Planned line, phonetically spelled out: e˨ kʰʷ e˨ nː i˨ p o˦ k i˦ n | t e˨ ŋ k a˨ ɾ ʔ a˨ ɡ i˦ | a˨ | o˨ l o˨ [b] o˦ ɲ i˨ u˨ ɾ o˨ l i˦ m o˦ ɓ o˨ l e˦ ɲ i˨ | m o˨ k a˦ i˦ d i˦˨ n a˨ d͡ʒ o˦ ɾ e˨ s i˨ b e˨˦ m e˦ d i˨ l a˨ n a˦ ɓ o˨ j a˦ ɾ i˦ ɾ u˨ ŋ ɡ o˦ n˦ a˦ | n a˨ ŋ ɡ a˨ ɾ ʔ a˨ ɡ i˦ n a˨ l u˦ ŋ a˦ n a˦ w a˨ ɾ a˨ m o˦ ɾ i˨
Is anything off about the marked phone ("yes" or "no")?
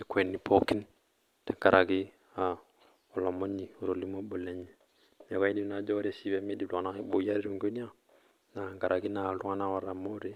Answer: yes